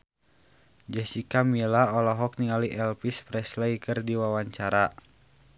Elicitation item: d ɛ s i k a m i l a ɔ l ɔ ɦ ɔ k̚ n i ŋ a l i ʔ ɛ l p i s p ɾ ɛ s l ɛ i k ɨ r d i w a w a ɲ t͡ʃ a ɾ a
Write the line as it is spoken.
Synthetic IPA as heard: d͡ʒ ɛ s i k a m i l a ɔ l ɔ ɦ ɔ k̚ n i ŋ a l i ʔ ɛ l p i s p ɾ ɛ s l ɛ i k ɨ r d i w a w a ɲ t͡ʃ a ɾ a